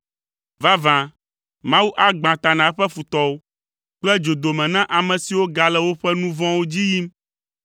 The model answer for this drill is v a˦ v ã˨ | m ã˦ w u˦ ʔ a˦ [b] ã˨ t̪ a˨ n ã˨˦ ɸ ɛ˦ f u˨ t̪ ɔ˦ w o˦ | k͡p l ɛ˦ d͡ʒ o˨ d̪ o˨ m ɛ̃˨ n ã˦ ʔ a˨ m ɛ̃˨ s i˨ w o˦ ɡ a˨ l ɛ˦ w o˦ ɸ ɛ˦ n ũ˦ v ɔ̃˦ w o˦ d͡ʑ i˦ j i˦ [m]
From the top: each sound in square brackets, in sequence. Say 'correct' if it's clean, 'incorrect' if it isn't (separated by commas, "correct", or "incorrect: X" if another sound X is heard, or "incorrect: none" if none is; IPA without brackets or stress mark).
incorrect: ɡ͡b, correct